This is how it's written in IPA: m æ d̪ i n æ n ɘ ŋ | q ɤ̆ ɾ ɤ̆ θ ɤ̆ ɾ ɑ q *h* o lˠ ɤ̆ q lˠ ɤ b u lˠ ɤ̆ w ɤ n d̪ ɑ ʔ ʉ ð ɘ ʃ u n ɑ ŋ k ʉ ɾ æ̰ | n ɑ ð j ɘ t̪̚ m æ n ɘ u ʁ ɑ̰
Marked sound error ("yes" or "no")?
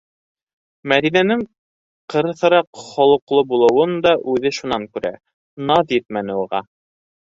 yes